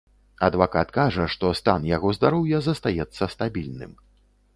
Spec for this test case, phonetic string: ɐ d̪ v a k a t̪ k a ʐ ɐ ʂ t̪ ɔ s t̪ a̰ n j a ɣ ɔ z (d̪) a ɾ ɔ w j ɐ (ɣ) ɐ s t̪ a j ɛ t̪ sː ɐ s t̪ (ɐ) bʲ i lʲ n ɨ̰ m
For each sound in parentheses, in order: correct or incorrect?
correct, incorrect, incorrect

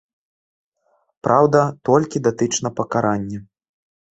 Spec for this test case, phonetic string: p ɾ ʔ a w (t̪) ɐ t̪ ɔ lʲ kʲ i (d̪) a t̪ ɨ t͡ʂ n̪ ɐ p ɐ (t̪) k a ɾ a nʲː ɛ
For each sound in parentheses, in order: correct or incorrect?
incorrect, correct, incorrect

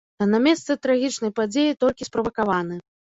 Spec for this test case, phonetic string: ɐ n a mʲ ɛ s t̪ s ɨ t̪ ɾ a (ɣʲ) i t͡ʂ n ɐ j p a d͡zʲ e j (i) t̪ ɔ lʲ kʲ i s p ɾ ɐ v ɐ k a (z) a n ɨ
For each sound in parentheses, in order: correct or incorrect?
correct, correct, incorrect

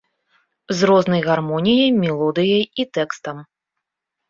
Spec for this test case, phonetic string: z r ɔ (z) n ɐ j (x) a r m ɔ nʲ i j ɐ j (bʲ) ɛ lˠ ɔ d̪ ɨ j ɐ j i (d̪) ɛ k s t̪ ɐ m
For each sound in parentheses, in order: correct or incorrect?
correct, incorrect, incorrect, incorrect

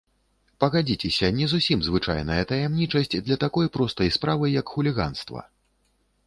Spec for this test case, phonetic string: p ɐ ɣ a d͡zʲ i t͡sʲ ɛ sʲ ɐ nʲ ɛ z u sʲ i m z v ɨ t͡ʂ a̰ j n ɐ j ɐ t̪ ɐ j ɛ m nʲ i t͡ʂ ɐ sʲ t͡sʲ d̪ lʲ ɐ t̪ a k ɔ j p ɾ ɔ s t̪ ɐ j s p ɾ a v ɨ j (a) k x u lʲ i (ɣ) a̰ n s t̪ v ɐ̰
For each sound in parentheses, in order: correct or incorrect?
incorrect, correct

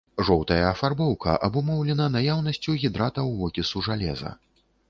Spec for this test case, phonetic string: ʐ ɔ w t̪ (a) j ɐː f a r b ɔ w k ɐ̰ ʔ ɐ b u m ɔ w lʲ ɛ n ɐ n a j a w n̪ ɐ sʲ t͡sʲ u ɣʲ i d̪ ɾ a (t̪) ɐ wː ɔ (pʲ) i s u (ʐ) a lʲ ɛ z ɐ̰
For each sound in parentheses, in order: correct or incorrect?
incorrect, correct, incorrect, correct

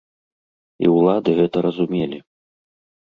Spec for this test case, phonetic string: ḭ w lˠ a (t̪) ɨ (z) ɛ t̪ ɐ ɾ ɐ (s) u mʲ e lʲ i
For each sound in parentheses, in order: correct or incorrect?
incorrect, incorrect, incorrect

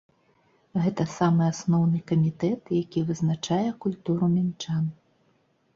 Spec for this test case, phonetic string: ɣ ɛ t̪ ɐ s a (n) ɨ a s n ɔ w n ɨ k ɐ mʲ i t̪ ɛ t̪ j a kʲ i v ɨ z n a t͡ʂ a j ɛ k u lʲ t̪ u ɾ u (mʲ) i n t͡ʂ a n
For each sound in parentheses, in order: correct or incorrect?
incorrect, correct

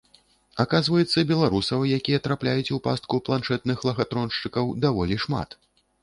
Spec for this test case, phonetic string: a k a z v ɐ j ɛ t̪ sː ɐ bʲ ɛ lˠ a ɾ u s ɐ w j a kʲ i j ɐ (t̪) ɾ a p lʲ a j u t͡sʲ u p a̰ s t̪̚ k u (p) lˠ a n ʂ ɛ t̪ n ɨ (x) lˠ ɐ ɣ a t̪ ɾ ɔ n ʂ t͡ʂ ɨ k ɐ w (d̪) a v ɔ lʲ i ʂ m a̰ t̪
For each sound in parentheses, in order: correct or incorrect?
correct, correct, correct, correct

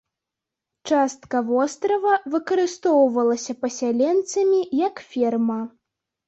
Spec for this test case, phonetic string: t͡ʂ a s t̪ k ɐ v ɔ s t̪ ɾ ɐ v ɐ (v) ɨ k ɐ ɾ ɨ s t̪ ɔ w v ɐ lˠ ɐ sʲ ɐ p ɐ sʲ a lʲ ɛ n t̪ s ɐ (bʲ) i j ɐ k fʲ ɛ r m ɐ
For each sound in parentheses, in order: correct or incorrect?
correct, incorrect

